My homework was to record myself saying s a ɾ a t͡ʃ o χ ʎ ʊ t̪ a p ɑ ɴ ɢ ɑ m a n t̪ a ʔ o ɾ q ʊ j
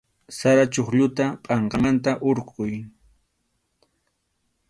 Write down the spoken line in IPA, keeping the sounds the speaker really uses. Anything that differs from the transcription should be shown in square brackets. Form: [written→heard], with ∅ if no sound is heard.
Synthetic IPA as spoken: s a ɾ a t͡ʃ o χ ʎ ʊ t̪ a [p→pʼ] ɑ ɴ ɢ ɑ m a n t̪ a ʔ o ɾ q ʊ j